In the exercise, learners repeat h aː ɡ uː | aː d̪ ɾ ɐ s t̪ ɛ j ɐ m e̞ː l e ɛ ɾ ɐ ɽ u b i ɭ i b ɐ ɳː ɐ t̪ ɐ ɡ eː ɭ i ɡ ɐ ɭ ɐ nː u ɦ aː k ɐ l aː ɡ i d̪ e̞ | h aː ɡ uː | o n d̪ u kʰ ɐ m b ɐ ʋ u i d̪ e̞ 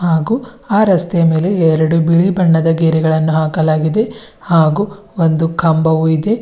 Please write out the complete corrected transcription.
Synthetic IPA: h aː ɡ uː | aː ɾ ɐ s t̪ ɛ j ɐ m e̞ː l e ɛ ɾ ɐ ɽ u b i ɭ i b ɐ ɳː ɐ d̪ ɐ ɡ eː ɾ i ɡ ɐ ɭ ɐ nː u ɦ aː k ɐ l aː ɡ i d̪ e̞ | h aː ɡ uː | o n d̪ u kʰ ɐ m b ɐ ʋ u i d̪ e̞